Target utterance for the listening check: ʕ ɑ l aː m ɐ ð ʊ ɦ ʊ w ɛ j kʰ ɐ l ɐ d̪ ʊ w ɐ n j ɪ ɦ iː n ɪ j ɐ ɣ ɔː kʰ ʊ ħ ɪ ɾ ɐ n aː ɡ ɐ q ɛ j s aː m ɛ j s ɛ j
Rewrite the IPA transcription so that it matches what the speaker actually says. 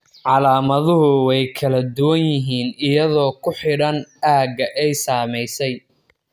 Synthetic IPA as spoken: ʕ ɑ l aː m ɐ ð ʊ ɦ ʊ w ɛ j kʰ ɐ l ɐ d̪ ʊ w ɐ n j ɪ ɦ iː n ɪ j ɐ ð ɔː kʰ ʊ ħ ɪ ɽ ɐ n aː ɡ ɐ ʔ ɛ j s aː m ɛ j s ɛ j